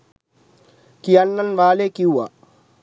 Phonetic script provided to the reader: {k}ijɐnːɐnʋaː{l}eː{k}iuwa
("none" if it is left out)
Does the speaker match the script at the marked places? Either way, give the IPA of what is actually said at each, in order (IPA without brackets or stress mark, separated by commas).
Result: k, l, k